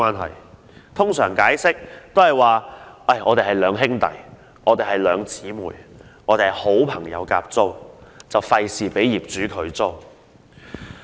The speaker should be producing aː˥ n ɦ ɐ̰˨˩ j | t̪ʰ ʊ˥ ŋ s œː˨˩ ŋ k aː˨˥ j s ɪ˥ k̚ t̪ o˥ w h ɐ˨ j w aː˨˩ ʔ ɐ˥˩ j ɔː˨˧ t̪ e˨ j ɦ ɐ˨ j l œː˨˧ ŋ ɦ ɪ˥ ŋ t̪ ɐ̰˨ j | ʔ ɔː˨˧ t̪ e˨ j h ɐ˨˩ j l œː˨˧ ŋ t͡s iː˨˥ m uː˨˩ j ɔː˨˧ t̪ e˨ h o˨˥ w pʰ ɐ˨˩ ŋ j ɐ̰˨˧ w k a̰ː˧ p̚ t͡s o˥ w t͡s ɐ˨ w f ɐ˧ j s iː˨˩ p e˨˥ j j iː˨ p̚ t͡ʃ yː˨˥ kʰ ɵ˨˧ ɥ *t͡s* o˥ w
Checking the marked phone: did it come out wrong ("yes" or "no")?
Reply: no